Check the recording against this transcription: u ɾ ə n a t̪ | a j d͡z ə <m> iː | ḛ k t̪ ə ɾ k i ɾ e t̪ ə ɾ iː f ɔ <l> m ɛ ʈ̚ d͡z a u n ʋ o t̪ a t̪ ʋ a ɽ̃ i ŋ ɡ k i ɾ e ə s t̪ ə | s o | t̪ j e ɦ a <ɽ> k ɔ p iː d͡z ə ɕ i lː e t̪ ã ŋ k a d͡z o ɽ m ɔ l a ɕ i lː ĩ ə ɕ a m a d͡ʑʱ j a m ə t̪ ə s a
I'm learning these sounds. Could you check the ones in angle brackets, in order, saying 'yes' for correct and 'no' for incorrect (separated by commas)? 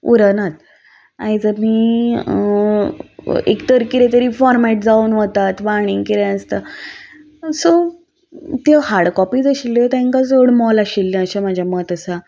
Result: yes, no, yes